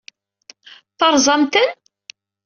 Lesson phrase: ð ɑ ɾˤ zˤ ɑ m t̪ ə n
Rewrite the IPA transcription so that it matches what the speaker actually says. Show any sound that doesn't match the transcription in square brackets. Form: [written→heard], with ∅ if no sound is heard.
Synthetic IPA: [ð→θ] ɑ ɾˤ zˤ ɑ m t̪ ə n